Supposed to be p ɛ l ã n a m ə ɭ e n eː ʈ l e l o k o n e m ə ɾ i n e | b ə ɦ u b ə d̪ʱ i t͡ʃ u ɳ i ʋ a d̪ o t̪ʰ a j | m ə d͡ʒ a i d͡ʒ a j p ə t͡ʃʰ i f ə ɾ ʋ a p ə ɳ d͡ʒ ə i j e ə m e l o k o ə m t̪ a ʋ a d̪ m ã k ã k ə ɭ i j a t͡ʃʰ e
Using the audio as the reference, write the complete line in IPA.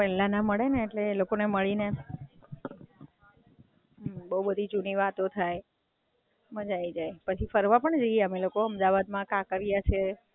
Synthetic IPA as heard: p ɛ l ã n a m ə ɭ e n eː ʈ l e l o k o n e m ə ɭ i n e | b ə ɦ u b ə d̪ʱ i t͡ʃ u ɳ i ʋ a t̪ o t̪ʰ a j | m ə d͡ʒ a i d͡ʒ a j p ə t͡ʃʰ i f ə ɾ ʋ a p ə ɳ d͡ʒ ə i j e ə m e l o k o ə m d̪ a ʋ a d̪ m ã k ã k ə ɾ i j a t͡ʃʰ e